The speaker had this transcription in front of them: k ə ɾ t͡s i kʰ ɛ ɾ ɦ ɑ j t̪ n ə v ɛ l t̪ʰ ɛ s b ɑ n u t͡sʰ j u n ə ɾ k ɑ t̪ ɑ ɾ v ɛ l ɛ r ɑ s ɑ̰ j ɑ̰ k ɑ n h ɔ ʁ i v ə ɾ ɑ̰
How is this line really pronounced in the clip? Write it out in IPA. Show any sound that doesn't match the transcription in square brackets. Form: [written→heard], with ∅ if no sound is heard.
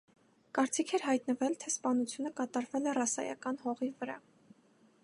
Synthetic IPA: k [ə→ɑ] ɾ t͡s i kʰ ɛ ɾ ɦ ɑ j t̪ n ə v ɛ l t̪ʰ ɛ s [b→p] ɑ n u t͡sʰ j u n ə [ɾ→∅] k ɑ t̪ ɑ ɾ v ɛ l ɛ r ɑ s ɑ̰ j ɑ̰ k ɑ n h ɔ ʁ i v ə ɾ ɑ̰